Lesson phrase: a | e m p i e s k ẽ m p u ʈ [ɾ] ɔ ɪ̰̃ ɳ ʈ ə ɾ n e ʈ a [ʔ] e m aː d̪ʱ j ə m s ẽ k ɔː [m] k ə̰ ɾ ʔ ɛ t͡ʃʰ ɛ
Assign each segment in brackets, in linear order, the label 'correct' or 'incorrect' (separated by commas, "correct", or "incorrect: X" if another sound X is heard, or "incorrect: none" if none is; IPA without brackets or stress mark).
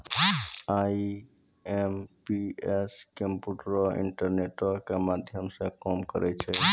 correct, incorrect: k, correct